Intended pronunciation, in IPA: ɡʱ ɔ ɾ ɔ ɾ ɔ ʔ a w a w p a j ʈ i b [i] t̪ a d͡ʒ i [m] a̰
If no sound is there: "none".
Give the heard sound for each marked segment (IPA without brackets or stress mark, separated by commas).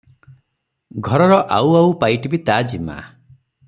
i, m